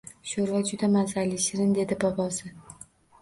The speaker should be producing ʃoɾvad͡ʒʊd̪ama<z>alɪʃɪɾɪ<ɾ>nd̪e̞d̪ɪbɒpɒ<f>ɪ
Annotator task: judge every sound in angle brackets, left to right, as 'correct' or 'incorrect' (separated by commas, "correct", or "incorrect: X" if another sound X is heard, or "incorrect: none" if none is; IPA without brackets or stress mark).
correct, incorrect: none, incorrect: s